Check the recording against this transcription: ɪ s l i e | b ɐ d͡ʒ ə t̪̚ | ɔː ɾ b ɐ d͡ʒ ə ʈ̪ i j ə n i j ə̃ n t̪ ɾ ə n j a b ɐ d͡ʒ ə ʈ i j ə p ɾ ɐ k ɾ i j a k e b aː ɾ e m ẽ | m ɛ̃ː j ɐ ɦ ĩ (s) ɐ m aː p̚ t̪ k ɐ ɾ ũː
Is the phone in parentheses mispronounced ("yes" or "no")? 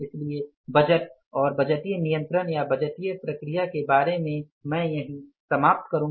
no